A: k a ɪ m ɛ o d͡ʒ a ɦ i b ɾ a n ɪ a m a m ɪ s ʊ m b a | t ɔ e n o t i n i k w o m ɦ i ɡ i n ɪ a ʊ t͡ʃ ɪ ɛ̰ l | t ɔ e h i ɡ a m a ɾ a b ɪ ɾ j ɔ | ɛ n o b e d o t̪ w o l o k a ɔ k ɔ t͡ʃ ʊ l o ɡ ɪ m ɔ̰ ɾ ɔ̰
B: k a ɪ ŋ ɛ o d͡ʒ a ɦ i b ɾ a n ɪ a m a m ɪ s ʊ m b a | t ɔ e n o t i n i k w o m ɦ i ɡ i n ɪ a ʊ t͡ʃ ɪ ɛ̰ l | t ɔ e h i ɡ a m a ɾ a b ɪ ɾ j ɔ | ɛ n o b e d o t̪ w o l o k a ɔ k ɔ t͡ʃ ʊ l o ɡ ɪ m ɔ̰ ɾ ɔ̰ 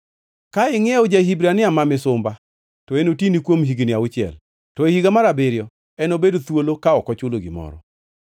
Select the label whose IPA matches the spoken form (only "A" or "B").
B